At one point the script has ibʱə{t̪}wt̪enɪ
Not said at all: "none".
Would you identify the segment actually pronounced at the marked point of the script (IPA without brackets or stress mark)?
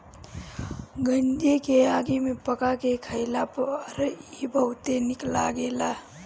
none